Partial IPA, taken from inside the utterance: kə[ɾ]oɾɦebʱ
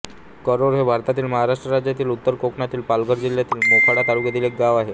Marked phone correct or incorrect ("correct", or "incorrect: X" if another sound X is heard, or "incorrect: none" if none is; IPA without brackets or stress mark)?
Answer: correct